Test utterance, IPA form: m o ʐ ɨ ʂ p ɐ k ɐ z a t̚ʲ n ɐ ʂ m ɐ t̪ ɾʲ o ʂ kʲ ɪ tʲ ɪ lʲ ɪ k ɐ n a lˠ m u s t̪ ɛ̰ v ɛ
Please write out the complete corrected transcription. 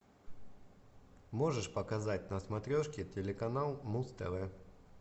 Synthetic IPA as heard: m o ʐ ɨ ʂ p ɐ k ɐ z a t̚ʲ n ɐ s m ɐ t̪ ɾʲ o ʂ kʲ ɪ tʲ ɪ lʲ ɪ k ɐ n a lˠ m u s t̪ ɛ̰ v ɛ